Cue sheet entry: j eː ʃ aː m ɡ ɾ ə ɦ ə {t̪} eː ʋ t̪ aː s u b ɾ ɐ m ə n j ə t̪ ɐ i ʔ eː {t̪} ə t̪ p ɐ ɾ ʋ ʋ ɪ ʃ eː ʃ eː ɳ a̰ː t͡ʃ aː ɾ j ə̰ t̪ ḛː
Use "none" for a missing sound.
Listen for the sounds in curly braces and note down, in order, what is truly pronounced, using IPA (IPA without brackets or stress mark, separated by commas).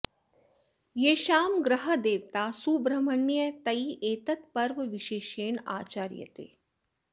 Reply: d̪, t̪